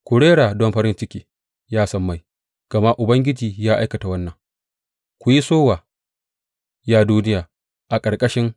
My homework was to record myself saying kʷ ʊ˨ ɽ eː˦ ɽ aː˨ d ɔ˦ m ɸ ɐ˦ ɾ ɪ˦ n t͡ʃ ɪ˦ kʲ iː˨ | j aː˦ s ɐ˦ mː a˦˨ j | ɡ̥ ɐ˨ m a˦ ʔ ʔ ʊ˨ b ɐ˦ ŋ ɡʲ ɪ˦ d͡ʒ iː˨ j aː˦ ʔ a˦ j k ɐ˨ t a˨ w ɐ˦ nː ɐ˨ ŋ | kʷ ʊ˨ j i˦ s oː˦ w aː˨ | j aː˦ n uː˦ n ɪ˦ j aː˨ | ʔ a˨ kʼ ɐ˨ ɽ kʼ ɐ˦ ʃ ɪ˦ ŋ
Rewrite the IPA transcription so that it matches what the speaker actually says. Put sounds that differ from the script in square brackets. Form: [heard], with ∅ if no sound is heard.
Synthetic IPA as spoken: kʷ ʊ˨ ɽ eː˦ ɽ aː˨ d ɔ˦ m ɸ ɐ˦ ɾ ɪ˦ n t͡ʃ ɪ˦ kʲ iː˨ | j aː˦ s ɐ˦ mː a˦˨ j | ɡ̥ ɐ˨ m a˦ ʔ ʔ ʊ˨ b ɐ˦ ŋ ɡʲ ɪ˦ d͡ʒ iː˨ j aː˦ ʔ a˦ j k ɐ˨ t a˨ w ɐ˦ nː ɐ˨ ŋ | kʷ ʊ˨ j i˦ s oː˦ w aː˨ | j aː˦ [d] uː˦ n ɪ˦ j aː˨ | ʔ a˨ kʼ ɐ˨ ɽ kʼ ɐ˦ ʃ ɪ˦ ŋ